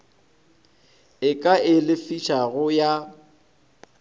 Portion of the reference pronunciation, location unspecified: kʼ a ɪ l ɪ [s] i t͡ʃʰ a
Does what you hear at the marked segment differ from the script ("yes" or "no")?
yes